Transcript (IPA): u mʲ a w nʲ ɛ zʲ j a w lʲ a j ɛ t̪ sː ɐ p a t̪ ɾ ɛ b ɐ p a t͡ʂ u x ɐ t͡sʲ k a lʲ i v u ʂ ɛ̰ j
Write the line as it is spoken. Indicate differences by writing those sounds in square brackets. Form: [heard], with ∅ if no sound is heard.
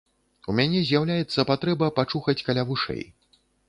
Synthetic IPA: u mʲ a [∅] nʲ ɛ zʲ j a w lʲ a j ɛ t̪ sː ɐ p a t̪ ɾ ɛ b ɐ p a t͡ʂ u x ɐ t͡sʲ k a lʲ [a] v u ʂ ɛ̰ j